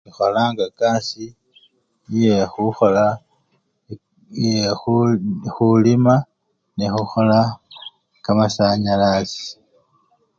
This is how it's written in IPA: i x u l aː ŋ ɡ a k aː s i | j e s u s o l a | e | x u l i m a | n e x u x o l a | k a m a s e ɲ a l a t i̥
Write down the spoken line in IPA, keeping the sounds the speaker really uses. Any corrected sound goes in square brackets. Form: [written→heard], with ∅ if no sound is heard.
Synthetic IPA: i x [u→o] l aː ŋ ɡ a k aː s i | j e [s→x] u [s→x] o l a | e | x u l i m a | n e x u x o l a | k a m a s [e→a] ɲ a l a [t→s] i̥